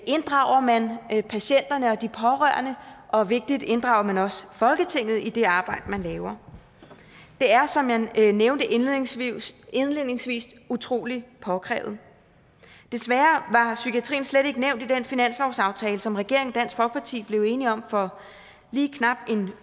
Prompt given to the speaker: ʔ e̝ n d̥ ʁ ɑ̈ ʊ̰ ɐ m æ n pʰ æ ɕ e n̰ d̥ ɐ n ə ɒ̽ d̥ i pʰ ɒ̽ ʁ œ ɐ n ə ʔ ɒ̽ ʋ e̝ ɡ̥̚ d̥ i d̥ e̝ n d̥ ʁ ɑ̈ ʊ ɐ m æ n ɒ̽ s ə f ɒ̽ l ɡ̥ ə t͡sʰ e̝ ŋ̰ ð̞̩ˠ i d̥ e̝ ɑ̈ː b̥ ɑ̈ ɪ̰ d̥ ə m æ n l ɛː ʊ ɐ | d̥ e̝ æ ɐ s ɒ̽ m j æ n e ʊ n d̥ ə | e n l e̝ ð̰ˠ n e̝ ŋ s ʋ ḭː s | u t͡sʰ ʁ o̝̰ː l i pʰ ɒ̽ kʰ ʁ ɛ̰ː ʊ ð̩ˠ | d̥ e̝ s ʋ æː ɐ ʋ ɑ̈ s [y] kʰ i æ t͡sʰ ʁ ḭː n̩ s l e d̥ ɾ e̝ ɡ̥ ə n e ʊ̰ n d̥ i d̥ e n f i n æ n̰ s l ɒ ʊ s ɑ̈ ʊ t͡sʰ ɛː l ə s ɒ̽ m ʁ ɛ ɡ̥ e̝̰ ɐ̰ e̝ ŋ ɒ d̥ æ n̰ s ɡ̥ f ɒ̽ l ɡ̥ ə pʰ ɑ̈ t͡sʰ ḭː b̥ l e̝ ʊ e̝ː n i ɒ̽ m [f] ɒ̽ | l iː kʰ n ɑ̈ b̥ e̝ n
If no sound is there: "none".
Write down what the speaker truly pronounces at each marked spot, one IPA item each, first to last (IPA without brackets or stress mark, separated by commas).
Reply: y, f